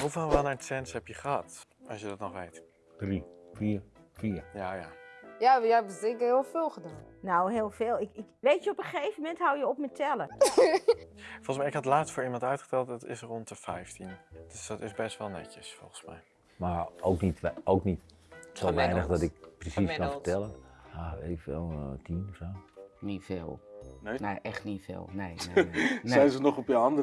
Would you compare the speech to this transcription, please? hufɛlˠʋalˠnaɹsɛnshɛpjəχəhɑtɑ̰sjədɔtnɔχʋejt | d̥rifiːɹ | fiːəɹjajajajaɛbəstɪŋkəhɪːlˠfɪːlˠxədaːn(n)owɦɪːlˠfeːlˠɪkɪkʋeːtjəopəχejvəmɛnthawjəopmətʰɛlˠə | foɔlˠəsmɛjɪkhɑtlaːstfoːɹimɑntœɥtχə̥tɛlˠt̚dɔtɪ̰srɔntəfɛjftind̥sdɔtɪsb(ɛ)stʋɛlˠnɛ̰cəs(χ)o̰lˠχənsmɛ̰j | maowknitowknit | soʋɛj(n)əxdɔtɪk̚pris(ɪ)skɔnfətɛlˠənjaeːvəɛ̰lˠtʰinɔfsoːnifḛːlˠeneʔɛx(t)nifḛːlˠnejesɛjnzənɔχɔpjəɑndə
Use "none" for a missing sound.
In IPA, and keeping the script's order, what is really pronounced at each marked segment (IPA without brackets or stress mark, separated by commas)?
n, ɛ, f, n, i, t